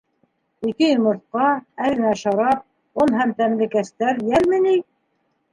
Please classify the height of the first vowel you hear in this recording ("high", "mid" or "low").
high